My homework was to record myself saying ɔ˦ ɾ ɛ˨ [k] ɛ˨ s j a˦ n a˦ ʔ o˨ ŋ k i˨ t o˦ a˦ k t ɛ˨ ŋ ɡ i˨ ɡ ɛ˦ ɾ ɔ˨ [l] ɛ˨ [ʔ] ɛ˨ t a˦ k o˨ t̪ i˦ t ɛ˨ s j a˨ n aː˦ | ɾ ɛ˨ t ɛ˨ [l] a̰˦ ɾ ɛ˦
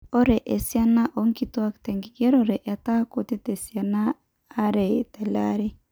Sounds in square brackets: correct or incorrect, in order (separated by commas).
incorrect, incorrect, correct, correct